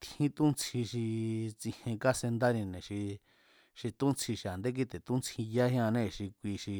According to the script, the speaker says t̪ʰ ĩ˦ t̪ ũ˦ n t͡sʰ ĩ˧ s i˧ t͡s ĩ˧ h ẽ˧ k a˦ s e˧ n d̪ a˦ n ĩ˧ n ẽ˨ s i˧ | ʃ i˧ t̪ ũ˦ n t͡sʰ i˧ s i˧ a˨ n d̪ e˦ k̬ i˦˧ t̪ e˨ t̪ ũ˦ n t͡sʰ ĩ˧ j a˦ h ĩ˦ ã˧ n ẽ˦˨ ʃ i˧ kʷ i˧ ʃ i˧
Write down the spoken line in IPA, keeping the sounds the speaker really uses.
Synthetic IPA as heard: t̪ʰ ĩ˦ t̪ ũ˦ n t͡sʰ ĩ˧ ʃ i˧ t͡s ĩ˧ h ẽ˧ k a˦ s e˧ n d̪ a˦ n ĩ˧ n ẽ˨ ʃ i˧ | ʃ i˧ t̪ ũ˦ n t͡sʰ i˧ ʃ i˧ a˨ n d̪ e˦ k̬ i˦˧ t̪ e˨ t̪ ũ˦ n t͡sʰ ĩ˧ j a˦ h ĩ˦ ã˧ n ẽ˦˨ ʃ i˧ kʷ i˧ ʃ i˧